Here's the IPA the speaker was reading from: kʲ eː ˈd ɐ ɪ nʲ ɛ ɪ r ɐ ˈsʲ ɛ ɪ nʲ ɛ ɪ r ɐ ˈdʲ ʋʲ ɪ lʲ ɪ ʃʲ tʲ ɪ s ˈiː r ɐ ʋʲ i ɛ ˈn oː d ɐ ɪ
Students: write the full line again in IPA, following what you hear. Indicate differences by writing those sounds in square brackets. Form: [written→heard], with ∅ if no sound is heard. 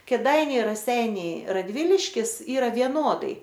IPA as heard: kʲ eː ˈd ɐ ɪ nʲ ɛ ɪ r ɐ ˈsʲ ɛ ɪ nʲ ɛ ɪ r ɐ ˈdʲ ʋʲ ɪ lʲ ɪ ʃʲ [tʲ→kʲ] ɪ s ˈiː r ɐ ʋʲ i ɛ ˈn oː d ɐ ɪ